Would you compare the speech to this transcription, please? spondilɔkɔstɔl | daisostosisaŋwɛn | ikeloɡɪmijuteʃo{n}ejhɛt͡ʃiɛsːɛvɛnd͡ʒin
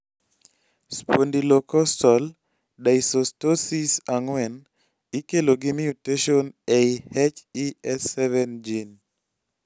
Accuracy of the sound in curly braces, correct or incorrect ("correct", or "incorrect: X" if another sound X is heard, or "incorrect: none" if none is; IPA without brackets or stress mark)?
correct